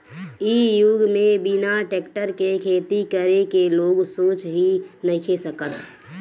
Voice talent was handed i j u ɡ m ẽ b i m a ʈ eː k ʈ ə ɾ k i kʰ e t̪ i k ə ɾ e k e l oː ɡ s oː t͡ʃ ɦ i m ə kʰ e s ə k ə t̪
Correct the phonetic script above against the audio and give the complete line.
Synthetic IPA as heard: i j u ɡ m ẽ b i n a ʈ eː k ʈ ə ɾ k e kʰ e t̪ i k ə ɾ e k e l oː ɡ s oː t͡ʃ ɦ i n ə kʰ e s ə k ə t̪